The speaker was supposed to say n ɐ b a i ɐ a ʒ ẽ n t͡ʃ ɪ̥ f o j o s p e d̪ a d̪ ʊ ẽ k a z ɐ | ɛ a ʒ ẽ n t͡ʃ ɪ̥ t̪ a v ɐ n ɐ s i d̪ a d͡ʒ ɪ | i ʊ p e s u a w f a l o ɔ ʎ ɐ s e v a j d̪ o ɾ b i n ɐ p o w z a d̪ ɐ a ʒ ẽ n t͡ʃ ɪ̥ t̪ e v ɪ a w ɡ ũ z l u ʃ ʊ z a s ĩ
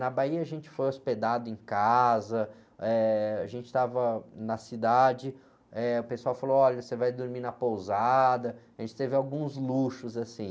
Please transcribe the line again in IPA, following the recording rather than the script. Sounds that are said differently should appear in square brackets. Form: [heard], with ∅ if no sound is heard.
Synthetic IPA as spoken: n ɐ b a i ɐ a ʒ ẽ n t͡ʃ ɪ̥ f o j o s p e d̪ a d̪ ʊ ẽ k a z ɐ | ɛ a ʒ ẽ n t͡ʃ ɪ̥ t̪ a v ɐ n ɐ s i d̪ a d͡ʒ ɪ | [ɛ] ʊ p e s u a w f a l o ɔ ʎ ɐ s e v a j d̪ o ɾ [m] i n ɐ p o w z a d̪ ɐ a ʒ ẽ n t͡ʃ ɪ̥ t̪ e v ɪ a w ɡ ũ z l u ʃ ʊ z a s ĩ